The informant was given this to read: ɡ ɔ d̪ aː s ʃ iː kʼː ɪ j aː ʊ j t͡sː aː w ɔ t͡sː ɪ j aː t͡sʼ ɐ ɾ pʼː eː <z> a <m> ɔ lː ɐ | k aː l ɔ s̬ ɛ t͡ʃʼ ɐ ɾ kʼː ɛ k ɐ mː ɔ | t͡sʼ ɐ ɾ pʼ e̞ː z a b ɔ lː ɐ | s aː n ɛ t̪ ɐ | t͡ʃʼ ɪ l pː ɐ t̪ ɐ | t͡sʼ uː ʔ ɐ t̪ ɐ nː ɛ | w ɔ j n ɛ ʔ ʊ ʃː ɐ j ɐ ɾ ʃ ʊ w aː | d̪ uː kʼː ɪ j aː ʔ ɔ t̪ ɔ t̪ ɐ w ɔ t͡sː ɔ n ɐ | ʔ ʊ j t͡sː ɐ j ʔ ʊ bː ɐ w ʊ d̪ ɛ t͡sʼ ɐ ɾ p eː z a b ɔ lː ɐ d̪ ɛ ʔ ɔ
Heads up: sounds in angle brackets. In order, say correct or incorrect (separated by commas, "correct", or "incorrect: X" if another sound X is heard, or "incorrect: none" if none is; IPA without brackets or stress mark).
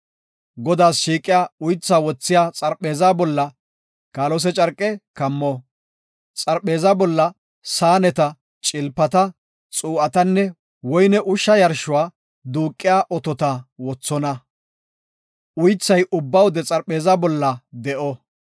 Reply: correct, incorrect: b